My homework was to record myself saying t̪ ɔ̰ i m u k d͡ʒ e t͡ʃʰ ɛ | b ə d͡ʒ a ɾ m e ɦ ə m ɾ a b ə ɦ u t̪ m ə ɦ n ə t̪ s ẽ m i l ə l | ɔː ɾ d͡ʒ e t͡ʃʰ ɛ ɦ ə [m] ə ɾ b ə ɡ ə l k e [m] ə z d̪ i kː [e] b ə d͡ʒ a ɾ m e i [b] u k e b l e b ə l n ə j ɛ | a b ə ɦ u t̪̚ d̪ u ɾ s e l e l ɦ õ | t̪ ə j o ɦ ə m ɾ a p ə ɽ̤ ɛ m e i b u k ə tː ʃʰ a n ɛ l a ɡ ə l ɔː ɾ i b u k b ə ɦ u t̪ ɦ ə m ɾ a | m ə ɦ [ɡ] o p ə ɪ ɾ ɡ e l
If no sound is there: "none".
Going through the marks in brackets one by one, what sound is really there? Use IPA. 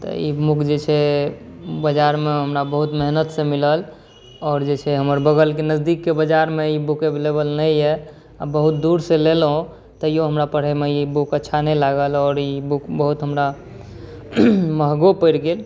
m, n, e, b, ɡ

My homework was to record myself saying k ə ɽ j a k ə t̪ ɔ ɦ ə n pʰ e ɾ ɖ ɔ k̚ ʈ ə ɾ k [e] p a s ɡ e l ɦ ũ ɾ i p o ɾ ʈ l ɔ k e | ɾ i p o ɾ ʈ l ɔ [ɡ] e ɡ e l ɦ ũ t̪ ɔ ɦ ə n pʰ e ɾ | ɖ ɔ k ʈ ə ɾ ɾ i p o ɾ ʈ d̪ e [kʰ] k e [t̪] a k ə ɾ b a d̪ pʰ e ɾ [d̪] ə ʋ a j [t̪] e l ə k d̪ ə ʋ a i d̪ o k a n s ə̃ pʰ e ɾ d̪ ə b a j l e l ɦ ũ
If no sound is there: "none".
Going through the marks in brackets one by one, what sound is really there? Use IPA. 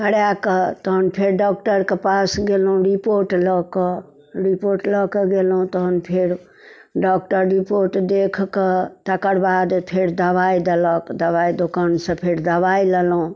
e, k, kʰ, t̪, d̪, d̪

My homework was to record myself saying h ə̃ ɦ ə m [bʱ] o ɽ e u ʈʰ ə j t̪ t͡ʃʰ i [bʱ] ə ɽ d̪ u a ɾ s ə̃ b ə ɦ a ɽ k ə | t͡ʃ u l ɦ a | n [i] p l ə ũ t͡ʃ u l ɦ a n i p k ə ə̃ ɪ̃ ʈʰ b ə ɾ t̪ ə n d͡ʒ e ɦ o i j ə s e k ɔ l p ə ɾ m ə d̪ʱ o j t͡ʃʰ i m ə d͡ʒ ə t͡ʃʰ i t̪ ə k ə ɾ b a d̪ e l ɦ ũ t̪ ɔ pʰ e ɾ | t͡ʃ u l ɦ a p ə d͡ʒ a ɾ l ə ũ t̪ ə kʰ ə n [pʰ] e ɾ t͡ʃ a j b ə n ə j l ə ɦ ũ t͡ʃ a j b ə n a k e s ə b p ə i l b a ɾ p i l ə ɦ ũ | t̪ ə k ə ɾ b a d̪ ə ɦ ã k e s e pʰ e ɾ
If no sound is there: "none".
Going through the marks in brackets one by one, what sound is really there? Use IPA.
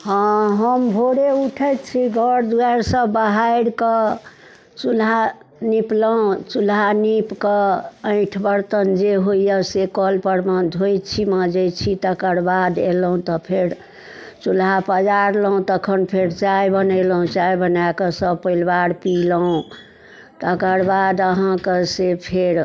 bʱ, ɡʱ, i, pʰ

